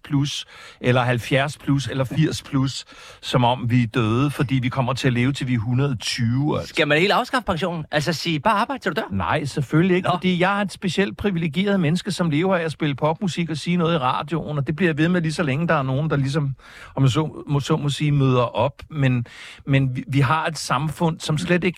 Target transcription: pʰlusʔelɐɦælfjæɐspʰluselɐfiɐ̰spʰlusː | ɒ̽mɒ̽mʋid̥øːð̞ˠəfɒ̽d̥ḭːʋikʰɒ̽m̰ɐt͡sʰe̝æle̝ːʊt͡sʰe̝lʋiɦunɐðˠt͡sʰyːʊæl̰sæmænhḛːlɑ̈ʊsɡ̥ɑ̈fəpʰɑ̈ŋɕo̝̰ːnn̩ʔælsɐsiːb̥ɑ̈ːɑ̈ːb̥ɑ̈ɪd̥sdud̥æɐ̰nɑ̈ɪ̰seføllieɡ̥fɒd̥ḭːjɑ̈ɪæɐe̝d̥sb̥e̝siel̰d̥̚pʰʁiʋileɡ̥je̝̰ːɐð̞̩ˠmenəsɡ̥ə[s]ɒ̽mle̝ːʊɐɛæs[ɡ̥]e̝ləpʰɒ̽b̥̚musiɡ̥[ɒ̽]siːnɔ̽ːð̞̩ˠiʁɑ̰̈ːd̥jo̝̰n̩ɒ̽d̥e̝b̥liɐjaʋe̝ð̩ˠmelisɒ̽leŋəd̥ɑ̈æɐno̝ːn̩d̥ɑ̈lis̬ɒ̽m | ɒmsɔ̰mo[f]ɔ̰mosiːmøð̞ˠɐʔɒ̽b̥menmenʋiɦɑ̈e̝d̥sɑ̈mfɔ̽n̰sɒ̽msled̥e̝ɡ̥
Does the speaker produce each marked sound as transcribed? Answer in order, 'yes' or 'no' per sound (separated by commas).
yes, no, yes, no